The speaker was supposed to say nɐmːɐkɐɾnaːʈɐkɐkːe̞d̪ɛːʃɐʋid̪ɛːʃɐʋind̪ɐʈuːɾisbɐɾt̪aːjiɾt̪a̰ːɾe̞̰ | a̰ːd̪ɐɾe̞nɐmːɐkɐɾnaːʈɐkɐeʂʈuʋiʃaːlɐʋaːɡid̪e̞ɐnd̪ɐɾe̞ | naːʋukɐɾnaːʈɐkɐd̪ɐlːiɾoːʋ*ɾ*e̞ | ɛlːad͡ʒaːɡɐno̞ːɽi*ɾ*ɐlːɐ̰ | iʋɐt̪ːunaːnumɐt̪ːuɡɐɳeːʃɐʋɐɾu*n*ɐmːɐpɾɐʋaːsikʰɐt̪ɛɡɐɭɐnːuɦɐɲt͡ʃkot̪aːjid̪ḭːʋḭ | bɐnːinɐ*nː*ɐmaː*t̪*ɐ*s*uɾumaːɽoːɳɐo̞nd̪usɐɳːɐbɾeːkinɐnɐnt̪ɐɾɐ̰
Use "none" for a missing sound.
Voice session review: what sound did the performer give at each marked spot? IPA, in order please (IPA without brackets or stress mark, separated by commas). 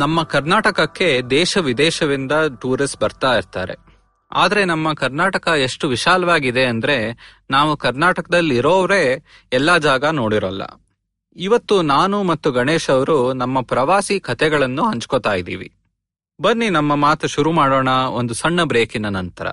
ɾ, ɾ, n, mː, t̪, ʃ